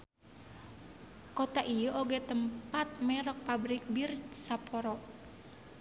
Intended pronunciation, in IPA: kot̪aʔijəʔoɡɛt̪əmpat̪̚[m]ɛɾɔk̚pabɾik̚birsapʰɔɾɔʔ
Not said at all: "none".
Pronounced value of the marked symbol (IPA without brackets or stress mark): m